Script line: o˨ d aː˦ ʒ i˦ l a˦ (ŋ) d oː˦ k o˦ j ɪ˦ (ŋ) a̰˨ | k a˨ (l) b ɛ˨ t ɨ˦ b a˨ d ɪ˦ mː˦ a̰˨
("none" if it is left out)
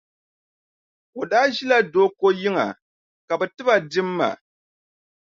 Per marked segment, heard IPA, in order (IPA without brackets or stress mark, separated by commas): none, ŋ, none